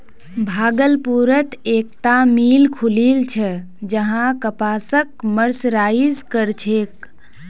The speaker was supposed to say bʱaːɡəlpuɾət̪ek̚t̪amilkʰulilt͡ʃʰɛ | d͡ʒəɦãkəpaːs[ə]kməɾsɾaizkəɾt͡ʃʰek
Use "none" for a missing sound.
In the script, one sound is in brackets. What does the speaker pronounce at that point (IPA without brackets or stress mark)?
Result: ə